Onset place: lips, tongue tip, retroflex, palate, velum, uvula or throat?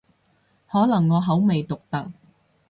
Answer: throat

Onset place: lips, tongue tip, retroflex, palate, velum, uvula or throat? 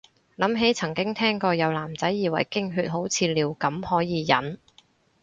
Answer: tongue tip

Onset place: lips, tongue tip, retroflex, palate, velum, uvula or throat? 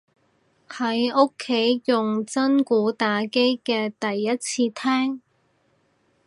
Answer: throat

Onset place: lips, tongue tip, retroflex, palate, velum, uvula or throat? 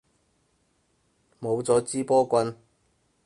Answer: lips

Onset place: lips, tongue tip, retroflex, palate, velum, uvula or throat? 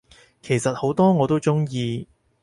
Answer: velum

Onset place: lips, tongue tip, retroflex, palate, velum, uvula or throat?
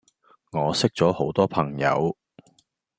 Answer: velum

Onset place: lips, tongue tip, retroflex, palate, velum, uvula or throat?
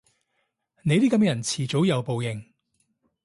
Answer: tongue tip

